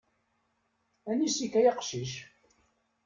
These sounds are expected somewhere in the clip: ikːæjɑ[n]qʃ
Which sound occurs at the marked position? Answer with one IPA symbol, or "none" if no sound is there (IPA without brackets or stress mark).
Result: none